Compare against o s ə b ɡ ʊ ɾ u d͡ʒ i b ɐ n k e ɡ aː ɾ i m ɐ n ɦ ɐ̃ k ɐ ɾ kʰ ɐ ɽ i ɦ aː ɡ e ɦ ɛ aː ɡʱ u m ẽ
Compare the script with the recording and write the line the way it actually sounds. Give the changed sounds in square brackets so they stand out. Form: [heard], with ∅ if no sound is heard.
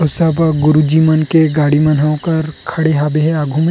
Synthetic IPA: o s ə b ɡ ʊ ɾ u d͡ʒ i [m] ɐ n k e ɡ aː [ɽ] i m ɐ n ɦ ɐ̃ k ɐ ɾ kʰ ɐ ɽ [e] ɦ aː [b] e ɦ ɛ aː ɡʱ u m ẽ